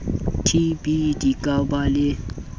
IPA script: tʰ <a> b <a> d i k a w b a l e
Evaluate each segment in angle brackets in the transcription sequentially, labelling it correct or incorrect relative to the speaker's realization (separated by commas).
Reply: incorrect, incorrect